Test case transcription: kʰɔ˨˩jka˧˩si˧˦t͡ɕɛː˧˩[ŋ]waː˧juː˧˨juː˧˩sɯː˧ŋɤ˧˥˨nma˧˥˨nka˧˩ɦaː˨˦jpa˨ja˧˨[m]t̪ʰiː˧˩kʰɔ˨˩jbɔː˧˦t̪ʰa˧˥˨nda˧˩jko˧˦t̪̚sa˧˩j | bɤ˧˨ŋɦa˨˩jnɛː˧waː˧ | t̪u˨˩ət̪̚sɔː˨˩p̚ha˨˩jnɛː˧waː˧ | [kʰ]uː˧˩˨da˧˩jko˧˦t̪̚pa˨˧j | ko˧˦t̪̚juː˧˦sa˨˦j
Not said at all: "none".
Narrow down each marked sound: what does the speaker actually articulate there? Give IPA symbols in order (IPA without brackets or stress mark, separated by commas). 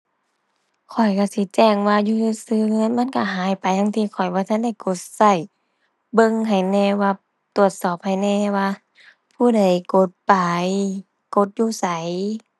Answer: ŋ, ŋ, pʰ